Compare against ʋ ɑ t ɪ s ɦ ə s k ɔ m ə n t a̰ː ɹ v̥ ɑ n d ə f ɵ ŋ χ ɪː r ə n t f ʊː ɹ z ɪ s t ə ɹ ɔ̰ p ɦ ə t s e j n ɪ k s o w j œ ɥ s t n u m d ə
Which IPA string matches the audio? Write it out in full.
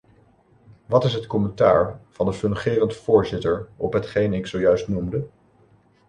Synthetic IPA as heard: ʋ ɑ t ɪ s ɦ ə t k ɔ m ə n t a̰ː ɹ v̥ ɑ n d ə f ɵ n χ ɪː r ə n t f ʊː ɹ z ɪ t ə ɹ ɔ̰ p ɦ ə t χ e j n ɪ k s o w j œ ɥ s t n u m d ə